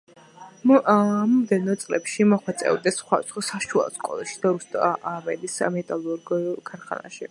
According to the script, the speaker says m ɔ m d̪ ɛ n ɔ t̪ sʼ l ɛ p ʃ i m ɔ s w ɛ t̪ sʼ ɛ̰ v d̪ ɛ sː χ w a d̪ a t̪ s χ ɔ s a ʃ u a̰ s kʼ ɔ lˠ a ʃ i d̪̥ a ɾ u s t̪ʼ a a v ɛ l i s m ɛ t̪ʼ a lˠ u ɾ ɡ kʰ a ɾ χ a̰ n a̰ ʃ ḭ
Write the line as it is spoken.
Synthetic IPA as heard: m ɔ m d̪ ɛ n ɔ t̪ sʼ l ɛ p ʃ i m ɔ χ w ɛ t̪ sʼ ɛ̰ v d̪ ɛ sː χ w a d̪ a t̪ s χ ɔ s a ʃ u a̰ s kʼ ɔ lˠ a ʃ i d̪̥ a ɾ u s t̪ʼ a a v ɛ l i s m ɛ t̪ʼ a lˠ u ɾ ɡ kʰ a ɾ χ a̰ n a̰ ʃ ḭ